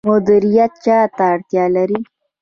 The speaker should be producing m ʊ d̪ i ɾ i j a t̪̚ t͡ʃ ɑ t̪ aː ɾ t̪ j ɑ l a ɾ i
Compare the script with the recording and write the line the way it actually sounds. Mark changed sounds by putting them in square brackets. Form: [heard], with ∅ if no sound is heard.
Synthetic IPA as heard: m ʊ d̪ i ɾ i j a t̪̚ t͡ʃ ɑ t̪ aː [ɽ] t̪ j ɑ l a ɾ i